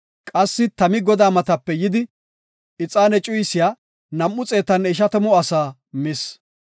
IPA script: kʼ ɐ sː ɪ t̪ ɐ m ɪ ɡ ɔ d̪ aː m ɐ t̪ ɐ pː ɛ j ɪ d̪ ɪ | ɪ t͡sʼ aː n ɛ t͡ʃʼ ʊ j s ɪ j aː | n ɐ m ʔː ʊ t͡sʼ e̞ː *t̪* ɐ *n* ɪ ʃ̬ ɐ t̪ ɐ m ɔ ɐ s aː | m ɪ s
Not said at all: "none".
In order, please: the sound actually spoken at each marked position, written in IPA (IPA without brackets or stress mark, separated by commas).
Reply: t̪, n